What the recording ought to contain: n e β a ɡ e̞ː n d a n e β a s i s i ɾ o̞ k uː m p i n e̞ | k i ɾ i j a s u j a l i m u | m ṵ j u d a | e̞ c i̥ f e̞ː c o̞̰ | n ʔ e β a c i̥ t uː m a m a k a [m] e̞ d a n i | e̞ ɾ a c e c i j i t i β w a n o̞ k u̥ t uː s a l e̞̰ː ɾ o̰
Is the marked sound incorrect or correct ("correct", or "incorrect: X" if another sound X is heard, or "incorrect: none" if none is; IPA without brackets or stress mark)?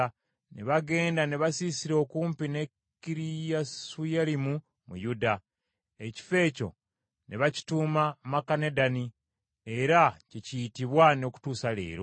incorrect: n